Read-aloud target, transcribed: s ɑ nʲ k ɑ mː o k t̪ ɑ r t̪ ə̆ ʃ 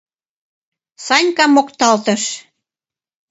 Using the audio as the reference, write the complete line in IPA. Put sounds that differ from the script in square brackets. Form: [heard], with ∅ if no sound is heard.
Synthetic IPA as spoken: s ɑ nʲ k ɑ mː o k t̪ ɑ [l] t̪ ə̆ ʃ